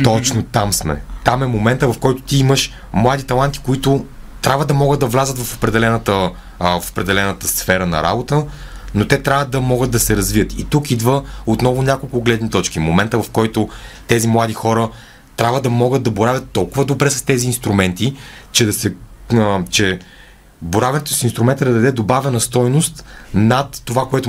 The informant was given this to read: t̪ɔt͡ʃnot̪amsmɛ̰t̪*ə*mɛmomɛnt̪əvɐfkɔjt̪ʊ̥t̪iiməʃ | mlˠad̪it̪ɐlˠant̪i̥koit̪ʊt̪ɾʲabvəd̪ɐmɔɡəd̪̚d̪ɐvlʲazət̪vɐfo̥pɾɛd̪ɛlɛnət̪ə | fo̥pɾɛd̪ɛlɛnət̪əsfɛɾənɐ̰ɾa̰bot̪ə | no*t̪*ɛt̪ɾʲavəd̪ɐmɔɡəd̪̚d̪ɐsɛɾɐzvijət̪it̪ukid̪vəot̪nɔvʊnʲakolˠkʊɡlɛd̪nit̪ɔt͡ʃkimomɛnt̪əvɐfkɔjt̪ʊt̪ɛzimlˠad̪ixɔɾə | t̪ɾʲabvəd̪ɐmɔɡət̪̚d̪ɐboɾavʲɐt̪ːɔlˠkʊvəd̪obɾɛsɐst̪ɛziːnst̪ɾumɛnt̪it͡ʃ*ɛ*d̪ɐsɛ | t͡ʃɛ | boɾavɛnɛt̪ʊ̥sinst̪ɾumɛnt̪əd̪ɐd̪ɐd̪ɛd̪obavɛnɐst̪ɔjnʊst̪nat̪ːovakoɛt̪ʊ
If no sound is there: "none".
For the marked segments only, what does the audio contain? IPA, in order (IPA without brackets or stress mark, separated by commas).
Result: a, t̪, ɛ